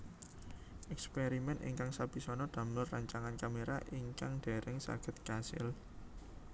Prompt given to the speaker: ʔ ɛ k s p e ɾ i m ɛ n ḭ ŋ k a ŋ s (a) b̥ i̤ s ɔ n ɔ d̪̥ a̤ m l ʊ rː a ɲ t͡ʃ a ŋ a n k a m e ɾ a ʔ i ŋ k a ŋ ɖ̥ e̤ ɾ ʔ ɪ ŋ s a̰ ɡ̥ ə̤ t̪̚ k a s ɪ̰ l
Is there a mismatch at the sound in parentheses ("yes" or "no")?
no